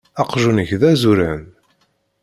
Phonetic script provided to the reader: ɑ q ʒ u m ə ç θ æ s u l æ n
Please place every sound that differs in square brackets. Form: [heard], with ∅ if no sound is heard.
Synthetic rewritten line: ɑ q ʒ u [n] ə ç [ð] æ [z] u [ɾ] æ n